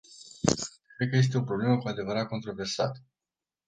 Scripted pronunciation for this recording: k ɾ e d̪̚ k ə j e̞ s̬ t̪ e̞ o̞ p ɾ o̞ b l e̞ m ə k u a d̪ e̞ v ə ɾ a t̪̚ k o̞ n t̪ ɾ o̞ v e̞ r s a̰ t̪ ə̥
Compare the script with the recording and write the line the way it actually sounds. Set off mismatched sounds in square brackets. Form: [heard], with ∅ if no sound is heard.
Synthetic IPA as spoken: k ɾ e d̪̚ k ə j e̞ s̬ t̪ e̞ o̞ p ɾ o̞ b l e̞ m ə k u a d̪ e̞ v ə ɾ a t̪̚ k o̞ n t̪ ɾ o̞ v e̞ r s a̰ t̪ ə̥